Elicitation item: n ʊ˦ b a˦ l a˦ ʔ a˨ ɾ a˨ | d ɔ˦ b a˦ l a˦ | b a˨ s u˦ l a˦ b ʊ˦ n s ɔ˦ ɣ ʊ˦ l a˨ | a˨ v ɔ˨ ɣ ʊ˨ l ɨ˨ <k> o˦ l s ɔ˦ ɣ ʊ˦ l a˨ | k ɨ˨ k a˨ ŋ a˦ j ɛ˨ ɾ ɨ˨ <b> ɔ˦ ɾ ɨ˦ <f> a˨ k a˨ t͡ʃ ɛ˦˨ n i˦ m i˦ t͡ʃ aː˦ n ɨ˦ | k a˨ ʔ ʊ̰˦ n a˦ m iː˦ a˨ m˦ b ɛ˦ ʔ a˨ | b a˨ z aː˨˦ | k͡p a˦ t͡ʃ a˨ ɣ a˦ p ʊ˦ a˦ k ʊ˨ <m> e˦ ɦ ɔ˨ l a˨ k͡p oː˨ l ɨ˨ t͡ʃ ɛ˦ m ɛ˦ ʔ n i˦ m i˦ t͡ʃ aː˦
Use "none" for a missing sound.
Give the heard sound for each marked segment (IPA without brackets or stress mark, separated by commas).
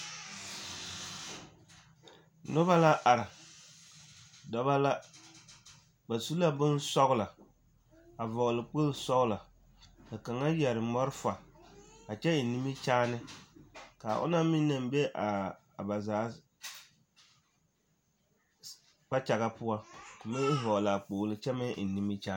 k͡p, m, f, m